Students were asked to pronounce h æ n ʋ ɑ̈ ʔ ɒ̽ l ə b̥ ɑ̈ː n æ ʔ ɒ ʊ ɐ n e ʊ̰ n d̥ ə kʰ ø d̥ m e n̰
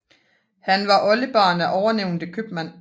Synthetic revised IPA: h æ n ʋ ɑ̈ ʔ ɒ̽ l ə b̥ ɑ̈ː n æ ʔ ɒ ʊ ɐ n e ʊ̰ n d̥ ə kʰ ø b̥ m æ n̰